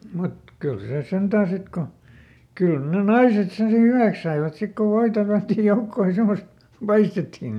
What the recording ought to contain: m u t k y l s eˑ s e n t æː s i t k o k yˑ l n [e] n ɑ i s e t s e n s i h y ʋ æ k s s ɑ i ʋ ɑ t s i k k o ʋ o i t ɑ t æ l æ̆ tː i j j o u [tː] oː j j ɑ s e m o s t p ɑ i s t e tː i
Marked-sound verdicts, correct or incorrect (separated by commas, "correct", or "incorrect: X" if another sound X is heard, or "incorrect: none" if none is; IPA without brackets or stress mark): correct, incorrect: kː